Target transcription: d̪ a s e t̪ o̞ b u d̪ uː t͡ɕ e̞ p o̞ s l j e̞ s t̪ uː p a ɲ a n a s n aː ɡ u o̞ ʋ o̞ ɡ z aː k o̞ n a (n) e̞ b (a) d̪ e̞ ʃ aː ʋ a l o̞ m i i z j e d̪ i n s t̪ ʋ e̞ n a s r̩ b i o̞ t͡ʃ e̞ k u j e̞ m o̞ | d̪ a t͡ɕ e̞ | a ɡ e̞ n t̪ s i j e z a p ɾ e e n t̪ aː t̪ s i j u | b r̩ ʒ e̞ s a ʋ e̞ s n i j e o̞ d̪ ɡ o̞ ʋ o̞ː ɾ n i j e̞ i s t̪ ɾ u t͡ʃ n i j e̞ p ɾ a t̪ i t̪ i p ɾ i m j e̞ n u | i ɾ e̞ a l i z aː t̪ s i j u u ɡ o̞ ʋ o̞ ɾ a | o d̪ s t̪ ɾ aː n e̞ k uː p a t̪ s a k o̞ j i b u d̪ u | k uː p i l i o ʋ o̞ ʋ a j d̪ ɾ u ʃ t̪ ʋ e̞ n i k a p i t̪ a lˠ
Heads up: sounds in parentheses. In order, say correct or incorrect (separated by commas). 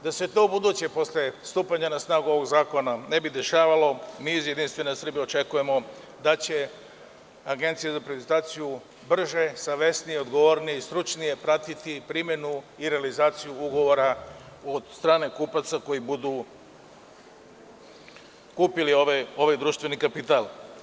correct, incorrect